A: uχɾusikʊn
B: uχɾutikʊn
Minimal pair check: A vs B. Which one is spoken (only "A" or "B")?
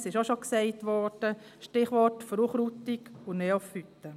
B